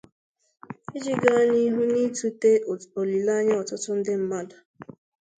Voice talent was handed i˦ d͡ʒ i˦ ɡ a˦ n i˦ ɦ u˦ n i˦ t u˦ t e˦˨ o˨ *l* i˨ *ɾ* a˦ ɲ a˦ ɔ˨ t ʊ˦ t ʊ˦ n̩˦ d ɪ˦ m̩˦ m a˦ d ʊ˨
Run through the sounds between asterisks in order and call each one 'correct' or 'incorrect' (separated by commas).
correct, incorrect